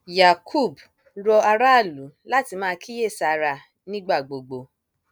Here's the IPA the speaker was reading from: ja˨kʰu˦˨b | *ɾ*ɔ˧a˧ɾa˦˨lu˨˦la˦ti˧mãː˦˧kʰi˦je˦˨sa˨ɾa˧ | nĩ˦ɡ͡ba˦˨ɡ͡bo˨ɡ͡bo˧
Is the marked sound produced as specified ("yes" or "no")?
yes